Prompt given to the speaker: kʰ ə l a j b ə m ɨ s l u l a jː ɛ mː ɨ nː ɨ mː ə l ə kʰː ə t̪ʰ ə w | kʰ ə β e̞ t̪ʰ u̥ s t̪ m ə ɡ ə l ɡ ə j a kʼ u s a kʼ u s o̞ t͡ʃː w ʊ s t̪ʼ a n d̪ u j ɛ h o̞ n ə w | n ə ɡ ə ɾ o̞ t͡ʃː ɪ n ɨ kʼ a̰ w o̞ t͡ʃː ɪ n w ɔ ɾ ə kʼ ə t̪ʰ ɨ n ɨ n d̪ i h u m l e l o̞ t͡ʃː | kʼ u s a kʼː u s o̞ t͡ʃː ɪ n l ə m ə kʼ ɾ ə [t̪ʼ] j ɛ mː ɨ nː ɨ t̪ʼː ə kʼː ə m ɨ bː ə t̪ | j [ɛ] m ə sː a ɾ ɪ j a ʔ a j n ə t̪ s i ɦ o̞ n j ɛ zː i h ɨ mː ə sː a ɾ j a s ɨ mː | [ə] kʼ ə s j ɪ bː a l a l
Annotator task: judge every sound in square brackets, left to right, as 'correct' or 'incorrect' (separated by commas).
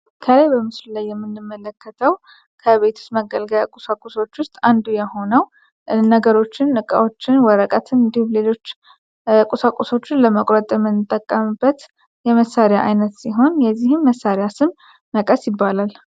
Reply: correct, correct, correct